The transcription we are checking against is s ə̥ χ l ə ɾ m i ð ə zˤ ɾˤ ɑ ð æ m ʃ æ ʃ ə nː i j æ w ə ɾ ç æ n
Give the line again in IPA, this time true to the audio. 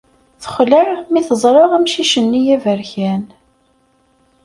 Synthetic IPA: θ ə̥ χ l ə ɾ m i θ ə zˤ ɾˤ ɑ ʁ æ m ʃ i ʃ ə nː i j æ v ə ɾ ç æ n